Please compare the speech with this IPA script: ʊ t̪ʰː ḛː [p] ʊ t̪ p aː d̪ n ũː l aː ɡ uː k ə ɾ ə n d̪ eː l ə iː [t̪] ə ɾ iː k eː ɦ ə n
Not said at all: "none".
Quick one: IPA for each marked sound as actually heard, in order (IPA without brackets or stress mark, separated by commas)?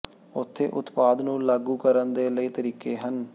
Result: ʔ, t̪